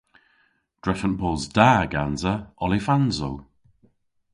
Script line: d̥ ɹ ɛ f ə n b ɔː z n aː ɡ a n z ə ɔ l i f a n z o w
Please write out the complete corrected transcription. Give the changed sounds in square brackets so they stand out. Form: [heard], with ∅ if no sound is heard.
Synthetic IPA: d̥ ɹ ɛ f ə n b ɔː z [d] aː ɡ a n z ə ɔ l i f a n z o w